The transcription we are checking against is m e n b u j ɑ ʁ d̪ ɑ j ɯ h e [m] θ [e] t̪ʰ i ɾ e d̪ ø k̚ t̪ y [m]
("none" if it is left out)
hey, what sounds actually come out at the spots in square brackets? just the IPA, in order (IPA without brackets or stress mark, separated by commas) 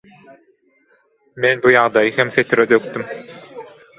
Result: m, e, m